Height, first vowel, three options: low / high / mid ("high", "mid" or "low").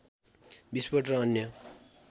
high